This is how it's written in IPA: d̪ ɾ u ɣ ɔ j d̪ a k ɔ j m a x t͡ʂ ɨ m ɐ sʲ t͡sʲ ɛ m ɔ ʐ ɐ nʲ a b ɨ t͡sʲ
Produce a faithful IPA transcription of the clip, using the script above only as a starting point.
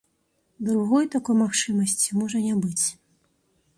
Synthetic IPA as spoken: d̪ ɾ u ɣ ɔ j t̪ a k ɔ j m a x t͡ʂ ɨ m ɐ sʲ t͡sʲ i m ɔ ʐ ɐ nʲ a b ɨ t͡sʲ